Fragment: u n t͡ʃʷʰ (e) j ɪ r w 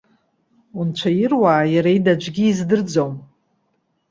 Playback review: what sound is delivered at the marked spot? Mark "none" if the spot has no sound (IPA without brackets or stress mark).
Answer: a